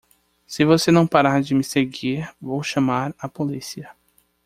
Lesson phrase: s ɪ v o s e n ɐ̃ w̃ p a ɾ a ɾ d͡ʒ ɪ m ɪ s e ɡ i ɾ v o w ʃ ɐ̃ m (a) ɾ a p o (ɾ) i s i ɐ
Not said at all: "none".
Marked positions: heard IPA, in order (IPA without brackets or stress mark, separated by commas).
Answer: a, l